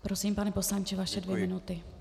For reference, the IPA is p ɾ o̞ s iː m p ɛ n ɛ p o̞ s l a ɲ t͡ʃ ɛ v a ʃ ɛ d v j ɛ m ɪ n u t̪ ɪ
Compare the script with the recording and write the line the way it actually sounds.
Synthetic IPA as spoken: p ɾ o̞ s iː m p a n ɛ p o̞ s l a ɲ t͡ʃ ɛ v a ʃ ɛ d v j ɛ m ɪ n u t̪ ɪ